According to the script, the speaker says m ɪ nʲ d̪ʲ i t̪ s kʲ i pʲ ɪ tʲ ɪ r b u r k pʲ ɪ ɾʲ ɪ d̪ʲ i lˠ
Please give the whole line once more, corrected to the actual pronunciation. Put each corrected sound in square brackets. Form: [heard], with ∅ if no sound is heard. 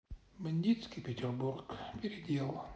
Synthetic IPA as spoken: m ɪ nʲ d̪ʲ i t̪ s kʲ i pʲ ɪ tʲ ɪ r b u r k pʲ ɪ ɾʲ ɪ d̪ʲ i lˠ